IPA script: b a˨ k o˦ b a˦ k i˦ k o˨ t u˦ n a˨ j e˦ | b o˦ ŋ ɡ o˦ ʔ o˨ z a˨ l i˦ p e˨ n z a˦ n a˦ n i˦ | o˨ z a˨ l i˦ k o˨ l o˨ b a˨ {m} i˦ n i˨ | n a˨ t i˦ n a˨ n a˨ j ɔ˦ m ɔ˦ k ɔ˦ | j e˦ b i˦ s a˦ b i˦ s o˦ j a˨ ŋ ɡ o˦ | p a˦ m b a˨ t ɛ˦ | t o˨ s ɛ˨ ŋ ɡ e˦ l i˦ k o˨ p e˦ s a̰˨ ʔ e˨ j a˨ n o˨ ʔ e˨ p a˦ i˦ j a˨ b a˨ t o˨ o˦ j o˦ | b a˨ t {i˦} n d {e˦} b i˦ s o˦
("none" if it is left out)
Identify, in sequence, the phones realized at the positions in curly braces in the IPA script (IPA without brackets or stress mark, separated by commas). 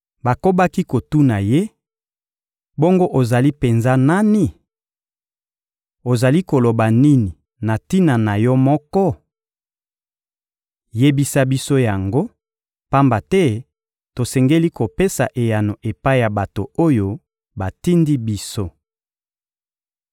n, i˦, i˦